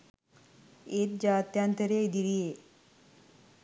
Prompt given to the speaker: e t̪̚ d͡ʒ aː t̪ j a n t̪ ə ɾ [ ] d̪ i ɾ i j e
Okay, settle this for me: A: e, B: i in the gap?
A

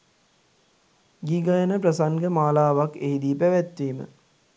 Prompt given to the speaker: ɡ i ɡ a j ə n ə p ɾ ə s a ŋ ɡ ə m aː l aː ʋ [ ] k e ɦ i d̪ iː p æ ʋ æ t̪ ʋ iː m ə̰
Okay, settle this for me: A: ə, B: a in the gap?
B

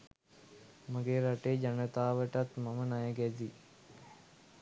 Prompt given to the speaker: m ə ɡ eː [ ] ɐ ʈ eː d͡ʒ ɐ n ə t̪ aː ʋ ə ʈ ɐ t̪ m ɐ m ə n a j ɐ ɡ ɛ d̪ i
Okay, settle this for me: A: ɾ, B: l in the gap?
A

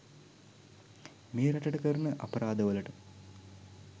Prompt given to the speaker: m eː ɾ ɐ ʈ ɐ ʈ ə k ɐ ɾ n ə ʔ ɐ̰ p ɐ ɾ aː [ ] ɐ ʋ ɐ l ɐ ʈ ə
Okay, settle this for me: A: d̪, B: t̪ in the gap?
A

